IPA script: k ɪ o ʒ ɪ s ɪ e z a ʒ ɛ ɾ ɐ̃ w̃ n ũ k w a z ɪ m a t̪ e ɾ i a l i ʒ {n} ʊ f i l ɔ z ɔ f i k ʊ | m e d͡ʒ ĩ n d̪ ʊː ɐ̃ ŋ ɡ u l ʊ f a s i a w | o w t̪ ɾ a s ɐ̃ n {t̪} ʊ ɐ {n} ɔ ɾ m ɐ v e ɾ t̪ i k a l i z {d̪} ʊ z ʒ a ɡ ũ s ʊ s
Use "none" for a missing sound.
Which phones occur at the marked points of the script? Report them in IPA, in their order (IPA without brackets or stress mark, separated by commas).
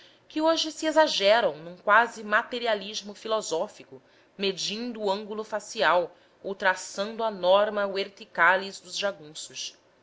m, d̪, n, d̪